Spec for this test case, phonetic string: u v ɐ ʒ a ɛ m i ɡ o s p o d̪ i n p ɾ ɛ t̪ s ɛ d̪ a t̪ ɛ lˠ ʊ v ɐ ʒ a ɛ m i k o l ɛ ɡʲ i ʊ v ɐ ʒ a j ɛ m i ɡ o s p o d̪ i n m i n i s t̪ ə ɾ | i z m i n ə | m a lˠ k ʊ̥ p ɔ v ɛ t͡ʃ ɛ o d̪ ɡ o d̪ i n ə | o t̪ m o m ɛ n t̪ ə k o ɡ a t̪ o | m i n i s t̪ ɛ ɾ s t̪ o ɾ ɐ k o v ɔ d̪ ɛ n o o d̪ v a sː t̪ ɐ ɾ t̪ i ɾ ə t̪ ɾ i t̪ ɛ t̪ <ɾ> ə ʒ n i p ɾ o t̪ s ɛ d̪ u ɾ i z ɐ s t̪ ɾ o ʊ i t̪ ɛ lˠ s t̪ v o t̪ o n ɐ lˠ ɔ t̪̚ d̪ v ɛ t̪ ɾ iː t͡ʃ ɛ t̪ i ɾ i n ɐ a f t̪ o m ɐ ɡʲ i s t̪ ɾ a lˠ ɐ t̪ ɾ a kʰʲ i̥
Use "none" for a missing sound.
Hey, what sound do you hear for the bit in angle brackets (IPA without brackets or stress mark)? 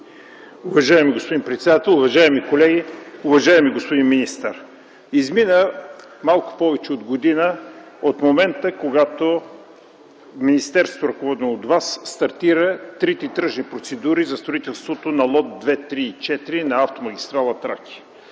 ɾ